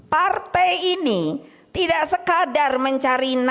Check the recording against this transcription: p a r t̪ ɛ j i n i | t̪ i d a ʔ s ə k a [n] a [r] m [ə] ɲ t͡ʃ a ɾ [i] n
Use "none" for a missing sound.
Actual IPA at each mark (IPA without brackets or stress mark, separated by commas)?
d, r, ə, i